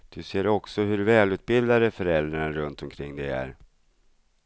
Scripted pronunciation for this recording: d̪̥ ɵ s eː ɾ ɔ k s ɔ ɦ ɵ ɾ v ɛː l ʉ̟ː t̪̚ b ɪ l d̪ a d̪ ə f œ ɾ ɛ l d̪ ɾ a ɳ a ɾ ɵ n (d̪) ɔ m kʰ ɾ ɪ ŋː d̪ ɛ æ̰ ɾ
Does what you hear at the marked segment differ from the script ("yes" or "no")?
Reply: yes